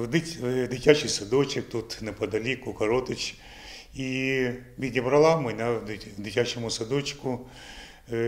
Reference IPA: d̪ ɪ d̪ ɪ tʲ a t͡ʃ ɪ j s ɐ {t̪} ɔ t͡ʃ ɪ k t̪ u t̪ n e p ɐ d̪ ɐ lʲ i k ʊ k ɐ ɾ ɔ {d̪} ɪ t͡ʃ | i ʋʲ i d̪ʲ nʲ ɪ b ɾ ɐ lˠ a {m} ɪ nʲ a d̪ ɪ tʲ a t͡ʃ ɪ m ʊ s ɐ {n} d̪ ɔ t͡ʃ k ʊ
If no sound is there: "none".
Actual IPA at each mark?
d̪, t̪, m, none

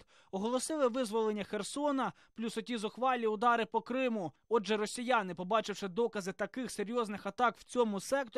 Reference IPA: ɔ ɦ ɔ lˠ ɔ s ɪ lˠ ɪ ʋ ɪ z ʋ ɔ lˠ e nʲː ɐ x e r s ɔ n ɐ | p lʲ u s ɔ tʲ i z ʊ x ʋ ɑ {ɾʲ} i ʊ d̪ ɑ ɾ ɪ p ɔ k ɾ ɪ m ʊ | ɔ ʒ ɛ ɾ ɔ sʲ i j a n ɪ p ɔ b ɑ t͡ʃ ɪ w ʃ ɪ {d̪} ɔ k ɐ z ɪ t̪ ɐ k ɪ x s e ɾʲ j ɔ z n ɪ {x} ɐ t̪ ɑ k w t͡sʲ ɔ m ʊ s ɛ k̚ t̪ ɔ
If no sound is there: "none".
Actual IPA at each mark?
lʲ, d̪, x

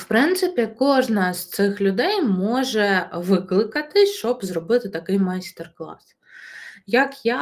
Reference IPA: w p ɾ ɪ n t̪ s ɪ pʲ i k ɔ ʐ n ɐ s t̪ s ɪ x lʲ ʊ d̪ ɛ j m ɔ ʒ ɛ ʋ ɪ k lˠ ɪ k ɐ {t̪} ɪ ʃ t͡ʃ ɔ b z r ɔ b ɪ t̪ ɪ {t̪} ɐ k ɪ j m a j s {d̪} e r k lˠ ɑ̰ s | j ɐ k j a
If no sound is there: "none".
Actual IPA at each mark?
t̪, t̪, t̪

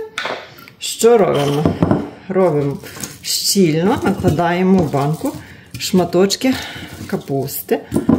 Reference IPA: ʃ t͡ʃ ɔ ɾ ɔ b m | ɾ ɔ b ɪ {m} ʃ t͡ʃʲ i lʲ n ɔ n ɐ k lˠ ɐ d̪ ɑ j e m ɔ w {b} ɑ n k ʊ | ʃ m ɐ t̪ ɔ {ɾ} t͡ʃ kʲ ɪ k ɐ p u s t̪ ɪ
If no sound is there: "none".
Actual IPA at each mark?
m, b, none

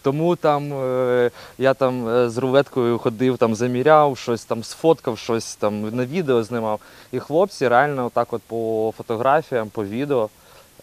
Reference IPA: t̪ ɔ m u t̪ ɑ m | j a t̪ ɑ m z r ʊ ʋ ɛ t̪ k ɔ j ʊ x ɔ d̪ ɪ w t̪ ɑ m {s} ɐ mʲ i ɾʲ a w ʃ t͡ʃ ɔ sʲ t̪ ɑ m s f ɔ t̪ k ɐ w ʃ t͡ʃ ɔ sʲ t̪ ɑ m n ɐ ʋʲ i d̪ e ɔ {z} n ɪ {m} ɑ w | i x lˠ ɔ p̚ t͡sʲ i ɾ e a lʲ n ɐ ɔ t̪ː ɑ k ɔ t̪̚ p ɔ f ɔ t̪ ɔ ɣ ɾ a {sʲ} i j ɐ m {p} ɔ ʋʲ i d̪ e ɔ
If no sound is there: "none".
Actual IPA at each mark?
z, z, m, fʲ, p

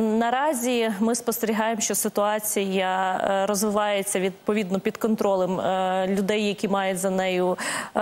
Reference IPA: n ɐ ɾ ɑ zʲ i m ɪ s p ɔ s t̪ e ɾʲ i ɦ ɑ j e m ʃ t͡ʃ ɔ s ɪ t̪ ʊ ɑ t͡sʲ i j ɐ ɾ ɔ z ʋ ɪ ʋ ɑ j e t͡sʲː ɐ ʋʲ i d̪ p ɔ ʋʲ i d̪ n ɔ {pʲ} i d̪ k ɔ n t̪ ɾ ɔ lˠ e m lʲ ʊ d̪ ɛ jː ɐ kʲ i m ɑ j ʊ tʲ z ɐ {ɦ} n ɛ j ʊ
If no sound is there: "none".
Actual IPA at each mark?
pʲ, none

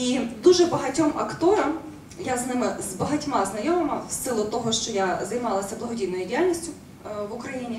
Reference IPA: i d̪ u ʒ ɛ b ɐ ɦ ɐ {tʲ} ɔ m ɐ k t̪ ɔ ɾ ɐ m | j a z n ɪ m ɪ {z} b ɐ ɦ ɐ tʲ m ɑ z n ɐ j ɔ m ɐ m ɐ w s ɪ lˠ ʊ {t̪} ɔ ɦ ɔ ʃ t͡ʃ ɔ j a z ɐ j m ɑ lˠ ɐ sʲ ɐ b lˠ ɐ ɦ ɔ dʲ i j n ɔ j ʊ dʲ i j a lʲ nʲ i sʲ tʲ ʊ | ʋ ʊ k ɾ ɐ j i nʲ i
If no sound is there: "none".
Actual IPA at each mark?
tʲ, z, t̪

